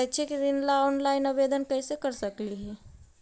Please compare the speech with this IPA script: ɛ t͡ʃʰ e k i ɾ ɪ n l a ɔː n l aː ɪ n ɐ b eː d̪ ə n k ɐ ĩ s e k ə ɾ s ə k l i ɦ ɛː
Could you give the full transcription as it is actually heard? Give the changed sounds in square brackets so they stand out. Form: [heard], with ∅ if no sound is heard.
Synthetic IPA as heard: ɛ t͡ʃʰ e k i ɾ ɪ n l a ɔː n l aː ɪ n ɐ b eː d̪ ə n k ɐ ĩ s e k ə ɾ s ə k l i ɦ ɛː